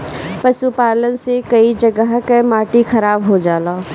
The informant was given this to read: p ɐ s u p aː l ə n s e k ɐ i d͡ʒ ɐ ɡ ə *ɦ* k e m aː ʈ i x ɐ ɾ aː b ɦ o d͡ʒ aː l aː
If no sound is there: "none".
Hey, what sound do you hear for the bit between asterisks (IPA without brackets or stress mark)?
ɦ